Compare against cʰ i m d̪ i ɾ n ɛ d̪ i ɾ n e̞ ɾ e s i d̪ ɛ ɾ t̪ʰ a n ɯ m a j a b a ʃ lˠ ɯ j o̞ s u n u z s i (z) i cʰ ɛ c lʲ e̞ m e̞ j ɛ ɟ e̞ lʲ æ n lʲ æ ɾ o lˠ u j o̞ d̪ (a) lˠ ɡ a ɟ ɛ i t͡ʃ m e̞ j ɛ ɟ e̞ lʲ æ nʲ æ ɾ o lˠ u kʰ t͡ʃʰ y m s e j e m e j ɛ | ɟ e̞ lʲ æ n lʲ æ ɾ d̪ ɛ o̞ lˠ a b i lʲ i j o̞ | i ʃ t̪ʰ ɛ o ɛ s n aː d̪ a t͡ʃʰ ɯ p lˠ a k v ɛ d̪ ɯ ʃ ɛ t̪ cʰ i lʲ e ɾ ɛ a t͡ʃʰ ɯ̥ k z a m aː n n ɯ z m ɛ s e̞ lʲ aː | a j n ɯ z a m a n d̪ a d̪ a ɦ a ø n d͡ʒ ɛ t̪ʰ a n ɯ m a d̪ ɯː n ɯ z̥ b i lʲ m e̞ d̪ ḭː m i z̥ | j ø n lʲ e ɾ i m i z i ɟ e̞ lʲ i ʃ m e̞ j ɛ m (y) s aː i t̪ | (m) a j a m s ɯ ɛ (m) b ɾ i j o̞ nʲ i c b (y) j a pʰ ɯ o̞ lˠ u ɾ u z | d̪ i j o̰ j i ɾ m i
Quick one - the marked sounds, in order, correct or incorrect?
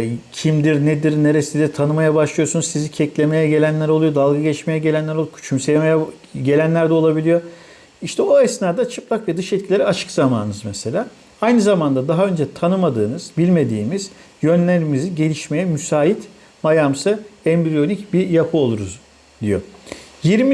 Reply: correct, correct, correct, correct, correct, incorrect: i

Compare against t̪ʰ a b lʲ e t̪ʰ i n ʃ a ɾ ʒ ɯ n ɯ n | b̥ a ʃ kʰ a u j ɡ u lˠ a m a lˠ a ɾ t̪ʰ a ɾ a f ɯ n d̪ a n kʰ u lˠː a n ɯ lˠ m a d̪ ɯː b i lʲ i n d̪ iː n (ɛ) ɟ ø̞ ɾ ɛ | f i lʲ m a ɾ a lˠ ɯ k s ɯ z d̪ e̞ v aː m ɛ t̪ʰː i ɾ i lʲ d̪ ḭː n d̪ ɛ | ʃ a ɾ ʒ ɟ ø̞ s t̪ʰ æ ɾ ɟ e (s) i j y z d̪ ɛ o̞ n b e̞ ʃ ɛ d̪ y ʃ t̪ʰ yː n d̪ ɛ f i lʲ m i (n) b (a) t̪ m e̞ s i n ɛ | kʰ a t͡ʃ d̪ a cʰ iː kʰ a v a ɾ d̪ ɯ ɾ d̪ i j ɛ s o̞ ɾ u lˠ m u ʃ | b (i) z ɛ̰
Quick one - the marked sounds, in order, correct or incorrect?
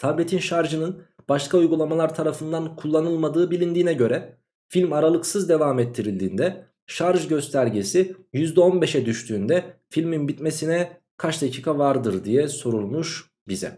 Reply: correct, correct, correct, incorrect: i, correct

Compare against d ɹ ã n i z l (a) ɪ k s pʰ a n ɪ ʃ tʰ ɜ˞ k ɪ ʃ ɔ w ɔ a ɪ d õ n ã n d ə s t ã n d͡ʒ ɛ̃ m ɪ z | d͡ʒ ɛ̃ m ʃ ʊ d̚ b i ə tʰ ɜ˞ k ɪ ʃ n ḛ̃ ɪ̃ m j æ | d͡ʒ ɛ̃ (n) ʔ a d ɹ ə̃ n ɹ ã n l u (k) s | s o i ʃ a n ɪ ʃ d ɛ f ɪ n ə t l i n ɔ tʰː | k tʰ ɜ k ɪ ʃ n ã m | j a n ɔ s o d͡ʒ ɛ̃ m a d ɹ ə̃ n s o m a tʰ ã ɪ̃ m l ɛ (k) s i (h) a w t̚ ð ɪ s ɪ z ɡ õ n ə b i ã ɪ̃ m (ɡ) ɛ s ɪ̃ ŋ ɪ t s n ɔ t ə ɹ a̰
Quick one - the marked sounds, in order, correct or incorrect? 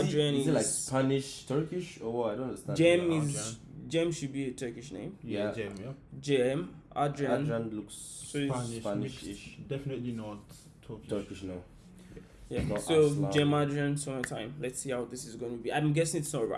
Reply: correct, incorrect: m, correct, incorrect: t, correct, correct

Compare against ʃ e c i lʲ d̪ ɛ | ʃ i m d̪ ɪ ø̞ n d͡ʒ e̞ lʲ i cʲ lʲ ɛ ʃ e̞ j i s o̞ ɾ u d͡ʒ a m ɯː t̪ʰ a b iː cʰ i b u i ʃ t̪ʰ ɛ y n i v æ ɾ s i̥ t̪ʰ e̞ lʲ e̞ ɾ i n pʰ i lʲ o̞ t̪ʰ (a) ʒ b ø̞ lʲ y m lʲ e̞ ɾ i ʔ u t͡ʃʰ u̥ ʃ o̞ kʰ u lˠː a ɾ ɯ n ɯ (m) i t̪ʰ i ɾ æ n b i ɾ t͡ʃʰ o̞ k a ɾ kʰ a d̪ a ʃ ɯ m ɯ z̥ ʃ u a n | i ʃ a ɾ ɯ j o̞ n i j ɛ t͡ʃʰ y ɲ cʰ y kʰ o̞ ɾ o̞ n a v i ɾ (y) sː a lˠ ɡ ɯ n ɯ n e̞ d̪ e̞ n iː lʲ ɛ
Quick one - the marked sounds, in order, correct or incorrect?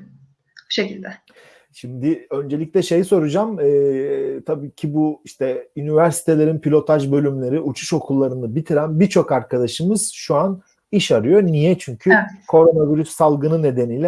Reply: correct, incorrect: b, correct

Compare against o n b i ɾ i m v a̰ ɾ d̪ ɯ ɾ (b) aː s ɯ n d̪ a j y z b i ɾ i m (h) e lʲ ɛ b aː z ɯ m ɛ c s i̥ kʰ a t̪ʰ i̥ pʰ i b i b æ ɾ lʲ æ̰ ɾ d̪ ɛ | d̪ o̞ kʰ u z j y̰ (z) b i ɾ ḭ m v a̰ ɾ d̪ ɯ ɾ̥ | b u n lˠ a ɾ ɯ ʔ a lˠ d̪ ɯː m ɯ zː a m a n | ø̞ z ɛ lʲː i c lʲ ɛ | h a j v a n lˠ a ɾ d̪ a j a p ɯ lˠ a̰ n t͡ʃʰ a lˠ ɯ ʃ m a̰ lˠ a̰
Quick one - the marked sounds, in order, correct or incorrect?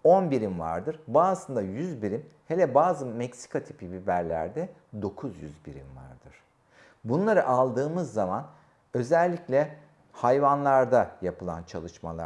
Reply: correct, correct, correct

